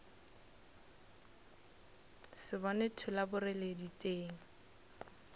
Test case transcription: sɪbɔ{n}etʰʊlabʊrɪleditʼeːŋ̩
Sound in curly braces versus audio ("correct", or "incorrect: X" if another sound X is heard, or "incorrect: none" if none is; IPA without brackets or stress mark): correct